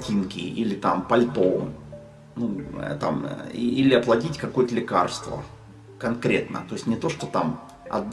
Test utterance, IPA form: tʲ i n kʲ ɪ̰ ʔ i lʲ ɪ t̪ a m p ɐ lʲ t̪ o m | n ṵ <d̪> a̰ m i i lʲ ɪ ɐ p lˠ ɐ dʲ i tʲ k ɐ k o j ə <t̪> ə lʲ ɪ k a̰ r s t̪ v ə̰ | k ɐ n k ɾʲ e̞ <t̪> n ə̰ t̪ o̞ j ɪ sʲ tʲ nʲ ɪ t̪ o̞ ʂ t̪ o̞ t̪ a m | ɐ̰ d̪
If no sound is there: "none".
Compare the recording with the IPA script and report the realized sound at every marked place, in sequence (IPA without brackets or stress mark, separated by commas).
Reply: t̪, t̪, t̪